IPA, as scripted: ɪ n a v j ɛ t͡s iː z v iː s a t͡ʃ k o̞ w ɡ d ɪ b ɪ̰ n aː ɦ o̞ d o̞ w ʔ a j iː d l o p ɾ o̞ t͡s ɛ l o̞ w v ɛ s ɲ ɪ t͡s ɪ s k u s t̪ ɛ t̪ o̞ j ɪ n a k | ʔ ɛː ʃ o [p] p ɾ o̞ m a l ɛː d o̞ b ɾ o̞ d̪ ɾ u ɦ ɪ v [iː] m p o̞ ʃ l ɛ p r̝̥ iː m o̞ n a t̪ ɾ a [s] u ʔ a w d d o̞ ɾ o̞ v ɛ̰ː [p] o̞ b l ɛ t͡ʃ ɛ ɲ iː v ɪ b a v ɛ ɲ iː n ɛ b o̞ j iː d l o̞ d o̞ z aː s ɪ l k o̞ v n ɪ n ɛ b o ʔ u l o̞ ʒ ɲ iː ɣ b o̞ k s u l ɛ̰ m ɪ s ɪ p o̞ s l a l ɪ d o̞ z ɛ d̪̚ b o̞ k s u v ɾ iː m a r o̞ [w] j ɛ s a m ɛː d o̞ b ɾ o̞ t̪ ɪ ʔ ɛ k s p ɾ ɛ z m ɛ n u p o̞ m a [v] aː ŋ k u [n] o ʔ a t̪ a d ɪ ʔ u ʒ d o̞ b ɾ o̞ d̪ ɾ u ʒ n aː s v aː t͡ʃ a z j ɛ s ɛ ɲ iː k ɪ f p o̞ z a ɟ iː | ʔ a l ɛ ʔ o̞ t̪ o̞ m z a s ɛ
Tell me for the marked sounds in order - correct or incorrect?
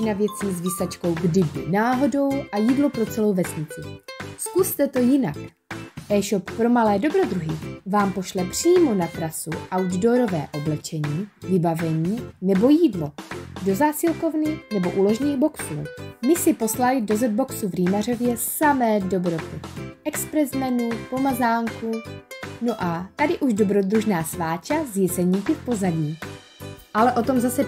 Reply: correct, incorrect, correct, incorrect, incorrect, incorrect, correct

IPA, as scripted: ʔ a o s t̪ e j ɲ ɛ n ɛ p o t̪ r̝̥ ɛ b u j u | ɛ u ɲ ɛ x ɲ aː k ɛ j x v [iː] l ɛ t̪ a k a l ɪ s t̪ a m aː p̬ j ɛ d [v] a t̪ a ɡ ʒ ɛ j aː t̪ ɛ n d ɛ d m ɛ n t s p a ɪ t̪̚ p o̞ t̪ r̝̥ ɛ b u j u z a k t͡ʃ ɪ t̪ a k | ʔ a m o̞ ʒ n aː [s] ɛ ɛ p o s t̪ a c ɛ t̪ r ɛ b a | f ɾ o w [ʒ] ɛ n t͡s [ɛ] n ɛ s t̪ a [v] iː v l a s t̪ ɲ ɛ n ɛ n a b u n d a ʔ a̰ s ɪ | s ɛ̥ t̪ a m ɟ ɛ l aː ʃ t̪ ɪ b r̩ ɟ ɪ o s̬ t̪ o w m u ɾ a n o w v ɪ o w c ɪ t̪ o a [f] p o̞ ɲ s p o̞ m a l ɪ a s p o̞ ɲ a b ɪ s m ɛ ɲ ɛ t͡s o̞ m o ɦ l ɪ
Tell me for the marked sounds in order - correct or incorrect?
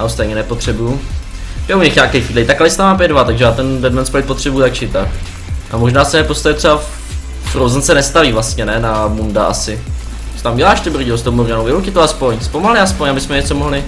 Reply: correct, correct, correct, incorrect, correct, correct, incorrect

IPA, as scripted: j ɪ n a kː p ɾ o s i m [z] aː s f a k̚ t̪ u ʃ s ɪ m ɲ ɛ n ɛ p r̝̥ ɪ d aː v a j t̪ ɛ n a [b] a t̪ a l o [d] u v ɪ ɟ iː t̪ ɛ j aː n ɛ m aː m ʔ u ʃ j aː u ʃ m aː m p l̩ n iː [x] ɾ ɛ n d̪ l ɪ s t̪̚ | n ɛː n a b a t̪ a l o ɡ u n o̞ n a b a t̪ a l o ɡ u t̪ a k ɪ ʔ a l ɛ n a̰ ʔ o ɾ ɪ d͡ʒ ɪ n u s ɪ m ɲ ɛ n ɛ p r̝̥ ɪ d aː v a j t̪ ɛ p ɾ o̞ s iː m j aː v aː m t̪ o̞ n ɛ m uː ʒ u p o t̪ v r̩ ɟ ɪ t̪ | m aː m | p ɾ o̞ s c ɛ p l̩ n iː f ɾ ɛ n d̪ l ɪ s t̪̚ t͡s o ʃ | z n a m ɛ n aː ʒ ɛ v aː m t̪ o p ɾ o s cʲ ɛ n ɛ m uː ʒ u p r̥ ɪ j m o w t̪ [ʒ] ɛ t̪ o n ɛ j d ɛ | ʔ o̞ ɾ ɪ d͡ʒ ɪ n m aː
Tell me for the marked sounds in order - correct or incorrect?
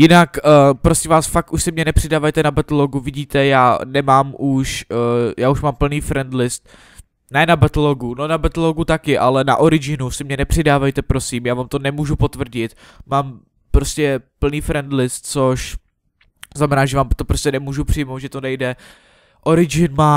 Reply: incorrect, correct, incorrect, incorrect, correct

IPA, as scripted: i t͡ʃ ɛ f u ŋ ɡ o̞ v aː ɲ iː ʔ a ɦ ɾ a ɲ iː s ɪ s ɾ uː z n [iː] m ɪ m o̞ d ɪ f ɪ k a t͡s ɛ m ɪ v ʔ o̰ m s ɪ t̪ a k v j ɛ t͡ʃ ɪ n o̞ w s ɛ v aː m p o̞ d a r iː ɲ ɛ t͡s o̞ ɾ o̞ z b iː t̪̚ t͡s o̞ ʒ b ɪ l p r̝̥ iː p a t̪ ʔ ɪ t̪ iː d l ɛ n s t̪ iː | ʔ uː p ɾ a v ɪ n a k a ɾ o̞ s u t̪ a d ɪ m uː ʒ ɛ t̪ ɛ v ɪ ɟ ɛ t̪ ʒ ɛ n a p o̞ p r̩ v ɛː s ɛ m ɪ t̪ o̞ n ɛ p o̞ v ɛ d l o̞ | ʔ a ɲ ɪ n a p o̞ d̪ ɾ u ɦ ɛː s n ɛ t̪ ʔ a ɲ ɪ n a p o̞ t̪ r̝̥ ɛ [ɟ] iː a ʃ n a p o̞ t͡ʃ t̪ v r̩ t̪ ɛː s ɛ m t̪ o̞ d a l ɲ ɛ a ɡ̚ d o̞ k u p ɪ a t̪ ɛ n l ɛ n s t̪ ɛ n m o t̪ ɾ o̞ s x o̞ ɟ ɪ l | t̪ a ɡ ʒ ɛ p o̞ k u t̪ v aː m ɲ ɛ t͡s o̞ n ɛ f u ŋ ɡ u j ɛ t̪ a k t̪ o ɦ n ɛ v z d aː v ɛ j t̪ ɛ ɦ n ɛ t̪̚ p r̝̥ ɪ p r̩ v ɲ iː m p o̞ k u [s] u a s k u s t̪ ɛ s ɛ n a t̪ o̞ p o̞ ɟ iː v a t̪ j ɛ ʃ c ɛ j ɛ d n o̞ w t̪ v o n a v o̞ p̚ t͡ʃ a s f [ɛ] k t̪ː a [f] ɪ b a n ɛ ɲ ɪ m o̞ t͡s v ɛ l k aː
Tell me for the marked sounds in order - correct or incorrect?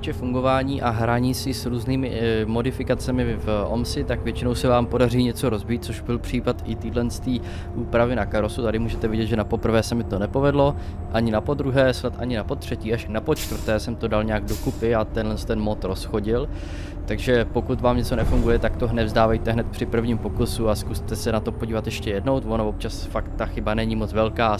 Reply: correct, incorrect, correct, incorrect, incorrect

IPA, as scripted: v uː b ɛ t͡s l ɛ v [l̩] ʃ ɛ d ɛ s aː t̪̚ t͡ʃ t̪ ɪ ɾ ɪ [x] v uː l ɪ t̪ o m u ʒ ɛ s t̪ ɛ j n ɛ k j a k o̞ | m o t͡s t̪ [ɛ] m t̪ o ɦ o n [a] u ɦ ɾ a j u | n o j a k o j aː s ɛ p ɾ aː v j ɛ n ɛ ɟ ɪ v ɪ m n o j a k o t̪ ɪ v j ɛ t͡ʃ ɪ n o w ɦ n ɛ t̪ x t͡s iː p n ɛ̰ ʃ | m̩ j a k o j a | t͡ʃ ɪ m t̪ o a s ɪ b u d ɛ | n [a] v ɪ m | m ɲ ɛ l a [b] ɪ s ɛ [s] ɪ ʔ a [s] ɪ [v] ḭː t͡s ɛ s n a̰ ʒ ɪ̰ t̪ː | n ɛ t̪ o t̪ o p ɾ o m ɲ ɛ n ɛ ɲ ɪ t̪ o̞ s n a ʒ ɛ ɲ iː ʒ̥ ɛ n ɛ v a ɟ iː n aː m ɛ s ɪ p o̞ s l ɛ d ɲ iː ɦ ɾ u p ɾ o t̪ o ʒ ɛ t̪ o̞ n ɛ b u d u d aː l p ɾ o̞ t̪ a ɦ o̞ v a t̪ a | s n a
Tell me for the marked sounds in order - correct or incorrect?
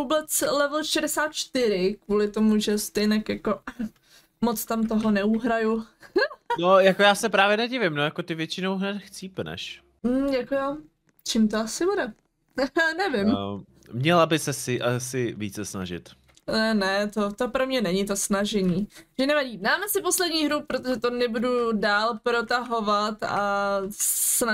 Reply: correct, incorrect, incorrect, incorrect, incorrect, correct, correct, correct, correct

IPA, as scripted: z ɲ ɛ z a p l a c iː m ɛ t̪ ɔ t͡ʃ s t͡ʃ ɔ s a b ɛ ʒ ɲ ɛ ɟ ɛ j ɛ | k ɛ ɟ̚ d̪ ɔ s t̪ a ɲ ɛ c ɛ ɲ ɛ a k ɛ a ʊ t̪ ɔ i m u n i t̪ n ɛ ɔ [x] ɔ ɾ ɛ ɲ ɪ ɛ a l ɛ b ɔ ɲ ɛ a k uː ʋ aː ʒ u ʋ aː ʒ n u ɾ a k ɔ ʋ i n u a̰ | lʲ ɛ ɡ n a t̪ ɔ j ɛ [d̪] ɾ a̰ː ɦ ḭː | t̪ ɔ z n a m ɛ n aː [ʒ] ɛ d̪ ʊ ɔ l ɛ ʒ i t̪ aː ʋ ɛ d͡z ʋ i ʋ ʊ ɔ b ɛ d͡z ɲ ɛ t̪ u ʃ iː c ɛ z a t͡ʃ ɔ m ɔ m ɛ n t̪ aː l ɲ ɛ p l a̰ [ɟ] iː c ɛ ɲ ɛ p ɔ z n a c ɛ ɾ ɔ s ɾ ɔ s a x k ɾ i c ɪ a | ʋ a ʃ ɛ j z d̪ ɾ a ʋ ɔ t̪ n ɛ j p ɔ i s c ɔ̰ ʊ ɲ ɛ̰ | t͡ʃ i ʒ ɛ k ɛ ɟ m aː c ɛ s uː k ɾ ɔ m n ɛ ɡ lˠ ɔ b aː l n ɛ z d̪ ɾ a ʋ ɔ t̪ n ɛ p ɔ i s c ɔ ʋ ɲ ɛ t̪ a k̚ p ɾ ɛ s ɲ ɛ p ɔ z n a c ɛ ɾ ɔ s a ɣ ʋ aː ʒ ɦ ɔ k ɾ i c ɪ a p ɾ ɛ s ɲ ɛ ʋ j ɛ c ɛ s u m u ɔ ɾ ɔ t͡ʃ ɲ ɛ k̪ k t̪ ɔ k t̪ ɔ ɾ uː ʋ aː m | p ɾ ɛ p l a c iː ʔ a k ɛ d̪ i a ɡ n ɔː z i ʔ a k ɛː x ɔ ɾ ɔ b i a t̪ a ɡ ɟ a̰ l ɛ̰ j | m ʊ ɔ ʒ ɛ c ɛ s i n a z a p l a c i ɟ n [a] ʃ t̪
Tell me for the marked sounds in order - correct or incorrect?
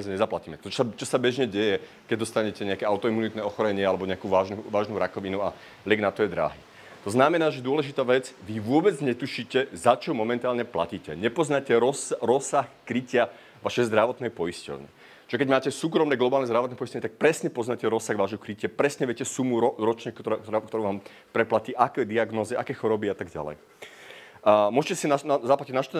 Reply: correct, correct, correct, incorrect, correct

